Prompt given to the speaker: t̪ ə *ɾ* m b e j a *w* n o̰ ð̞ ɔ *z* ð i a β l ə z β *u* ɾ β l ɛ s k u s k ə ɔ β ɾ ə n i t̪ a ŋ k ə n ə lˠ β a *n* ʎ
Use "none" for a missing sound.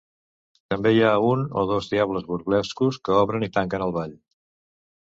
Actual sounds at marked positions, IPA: none, u, z, u, none

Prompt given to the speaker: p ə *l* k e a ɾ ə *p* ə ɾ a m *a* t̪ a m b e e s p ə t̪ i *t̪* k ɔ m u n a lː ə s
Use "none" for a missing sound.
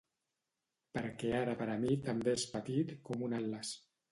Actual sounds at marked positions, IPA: ɾ, p, i, t̪

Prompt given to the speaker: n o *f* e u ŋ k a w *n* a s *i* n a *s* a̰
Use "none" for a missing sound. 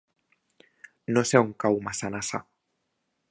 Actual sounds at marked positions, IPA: s, m, a, s

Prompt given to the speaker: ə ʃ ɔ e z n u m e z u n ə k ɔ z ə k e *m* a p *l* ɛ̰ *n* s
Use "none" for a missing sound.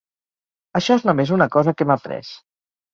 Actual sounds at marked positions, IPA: m, ɾ, none

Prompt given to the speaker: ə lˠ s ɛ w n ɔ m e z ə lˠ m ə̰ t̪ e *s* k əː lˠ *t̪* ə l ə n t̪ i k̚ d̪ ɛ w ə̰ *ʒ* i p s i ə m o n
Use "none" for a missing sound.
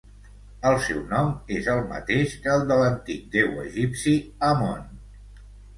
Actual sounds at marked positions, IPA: ʃ, d̪, ʒ

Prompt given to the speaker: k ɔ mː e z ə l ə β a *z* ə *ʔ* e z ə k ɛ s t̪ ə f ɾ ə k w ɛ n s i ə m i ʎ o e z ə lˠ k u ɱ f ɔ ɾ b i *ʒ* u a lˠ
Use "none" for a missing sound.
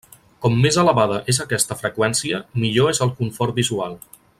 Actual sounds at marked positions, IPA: ð, ʔ, z

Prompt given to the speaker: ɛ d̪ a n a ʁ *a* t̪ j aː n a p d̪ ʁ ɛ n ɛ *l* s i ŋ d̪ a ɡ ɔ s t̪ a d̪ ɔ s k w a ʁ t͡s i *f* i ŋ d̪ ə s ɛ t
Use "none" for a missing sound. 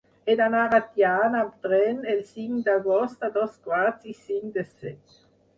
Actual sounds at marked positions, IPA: a, l, s

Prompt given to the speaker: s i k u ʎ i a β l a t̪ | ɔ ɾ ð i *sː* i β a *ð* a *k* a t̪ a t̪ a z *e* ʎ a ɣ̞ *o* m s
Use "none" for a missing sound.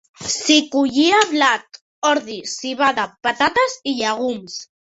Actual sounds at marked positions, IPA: s, ð, p, i, u

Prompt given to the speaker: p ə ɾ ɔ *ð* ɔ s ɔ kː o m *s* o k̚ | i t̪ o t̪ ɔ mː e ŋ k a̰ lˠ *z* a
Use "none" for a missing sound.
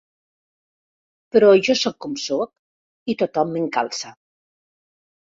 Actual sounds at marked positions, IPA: ʒ, s, s

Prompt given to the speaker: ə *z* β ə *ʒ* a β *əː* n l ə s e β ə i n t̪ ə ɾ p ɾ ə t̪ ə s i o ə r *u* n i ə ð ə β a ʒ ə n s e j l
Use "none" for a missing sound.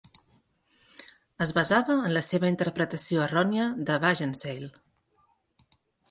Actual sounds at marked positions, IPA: z, z, əː, ɔ

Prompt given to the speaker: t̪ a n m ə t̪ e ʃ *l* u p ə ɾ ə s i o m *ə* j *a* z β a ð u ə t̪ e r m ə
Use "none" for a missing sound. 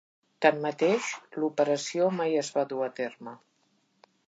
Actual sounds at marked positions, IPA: l, a, ə

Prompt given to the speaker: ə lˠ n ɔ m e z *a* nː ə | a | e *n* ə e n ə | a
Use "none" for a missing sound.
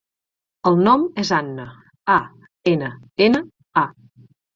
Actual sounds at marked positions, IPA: a, n

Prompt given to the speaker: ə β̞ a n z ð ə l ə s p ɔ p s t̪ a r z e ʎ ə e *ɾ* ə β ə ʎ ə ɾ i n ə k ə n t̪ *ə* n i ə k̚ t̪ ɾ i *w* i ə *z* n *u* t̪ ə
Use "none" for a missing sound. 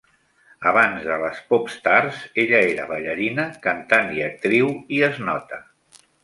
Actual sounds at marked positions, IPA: ɾ, a, w, z, ɔ

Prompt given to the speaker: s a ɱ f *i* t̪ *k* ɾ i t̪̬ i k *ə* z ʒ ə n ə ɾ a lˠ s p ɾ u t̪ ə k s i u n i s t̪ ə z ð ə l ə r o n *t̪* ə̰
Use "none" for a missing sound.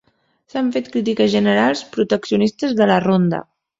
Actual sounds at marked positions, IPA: e, k, ə, d̪

